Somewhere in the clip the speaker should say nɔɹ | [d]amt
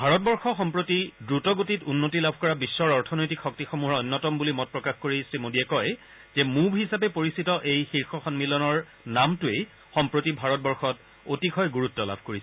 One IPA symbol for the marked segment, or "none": n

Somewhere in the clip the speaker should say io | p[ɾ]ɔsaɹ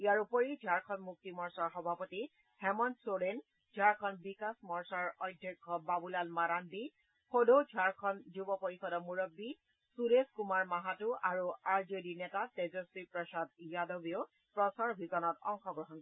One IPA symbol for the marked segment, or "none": ɹ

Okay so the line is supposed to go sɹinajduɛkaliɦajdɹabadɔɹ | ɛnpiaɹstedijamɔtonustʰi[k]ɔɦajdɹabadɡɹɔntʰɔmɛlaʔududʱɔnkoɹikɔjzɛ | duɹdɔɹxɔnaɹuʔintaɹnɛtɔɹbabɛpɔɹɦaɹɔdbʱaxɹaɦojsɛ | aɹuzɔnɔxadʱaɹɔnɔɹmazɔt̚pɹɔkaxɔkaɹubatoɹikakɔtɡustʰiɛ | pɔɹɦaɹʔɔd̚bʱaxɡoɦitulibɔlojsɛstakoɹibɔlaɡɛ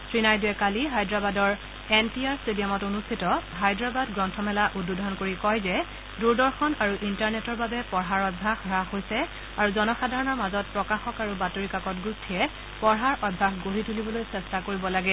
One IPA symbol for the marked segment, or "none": t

